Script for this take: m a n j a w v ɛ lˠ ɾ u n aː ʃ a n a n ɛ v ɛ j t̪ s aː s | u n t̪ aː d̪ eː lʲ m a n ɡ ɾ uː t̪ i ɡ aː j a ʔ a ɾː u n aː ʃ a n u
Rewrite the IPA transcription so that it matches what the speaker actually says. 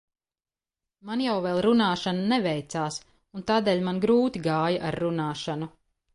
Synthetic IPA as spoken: m a n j a w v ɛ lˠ ɾ u n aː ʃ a n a n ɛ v ɛ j t̪ s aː s | u n t̪ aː d̪ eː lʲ m a n ɡ ɾ uː t̪ i ɡ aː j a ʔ a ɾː u n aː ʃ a n u